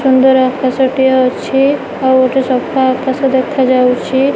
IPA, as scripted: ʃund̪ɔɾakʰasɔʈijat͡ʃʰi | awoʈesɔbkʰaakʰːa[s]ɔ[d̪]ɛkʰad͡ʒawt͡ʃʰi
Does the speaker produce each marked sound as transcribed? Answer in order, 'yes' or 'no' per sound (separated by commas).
yes, yes